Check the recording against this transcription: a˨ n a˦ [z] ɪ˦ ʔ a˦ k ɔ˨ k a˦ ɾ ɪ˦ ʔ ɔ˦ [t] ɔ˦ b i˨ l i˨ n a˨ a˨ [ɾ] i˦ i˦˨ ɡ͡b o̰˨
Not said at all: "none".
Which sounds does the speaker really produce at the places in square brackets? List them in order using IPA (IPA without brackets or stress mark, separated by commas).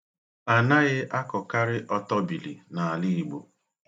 ɣ, t, l